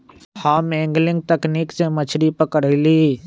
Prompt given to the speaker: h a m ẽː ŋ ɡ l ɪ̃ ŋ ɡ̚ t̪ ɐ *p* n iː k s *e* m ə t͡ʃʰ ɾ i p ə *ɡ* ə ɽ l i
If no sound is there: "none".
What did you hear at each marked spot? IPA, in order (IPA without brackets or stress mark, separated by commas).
k, e, k